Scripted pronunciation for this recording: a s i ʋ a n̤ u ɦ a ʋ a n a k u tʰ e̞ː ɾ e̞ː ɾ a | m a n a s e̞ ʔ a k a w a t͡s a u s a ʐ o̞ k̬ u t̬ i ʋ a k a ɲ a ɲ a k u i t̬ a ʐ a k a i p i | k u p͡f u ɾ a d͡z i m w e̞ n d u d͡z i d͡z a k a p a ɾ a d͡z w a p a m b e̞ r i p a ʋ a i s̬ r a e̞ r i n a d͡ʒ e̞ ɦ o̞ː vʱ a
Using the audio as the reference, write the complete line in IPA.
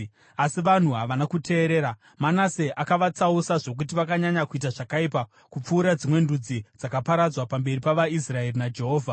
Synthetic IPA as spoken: a s i ʋ a n̤ u ɦ a ʋ a n a k u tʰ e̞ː ɾ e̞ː ɾ a | m a n a s e̞ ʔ a k a ʋ a t͡s a u s a ʐ o̞ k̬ u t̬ i ʋ a k a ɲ a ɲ a k u i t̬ a ʐ a k a i p a | k u p͡f uː ɾ a d͡z i m w e̞ n d u d͡z i d͡z a k a p a ɾ a d͡z w a p a m b e̞ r i p a ʋ a i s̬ r a e̞ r i n a d͡ʒ e̞ ɦ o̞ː vʱ a